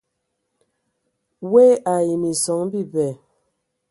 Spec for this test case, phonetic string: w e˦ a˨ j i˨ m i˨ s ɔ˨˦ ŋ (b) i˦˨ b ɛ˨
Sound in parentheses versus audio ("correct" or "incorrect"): correct